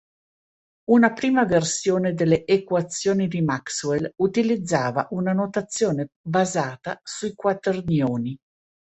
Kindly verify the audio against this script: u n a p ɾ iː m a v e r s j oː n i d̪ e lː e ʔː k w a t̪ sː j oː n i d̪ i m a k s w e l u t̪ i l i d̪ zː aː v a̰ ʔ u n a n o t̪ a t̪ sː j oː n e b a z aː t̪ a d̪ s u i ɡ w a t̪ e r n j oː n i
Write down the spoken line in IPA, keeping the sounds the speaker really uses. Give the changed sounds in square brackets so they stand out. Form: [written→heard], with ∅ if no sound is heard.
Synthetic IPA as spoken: u n a p ɾ iː m a v e r s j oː n [i→e] d̪ e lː e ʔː k w a t̪ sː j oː n i d̪ i m a k s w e l u t̪ i l i d̪ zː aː v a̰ ʔ u n a n o t̪ a t̪ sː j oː n e b a z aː t̪ a [d̪→∅] s u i [ɡ→k] w a t̪ e r n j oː n i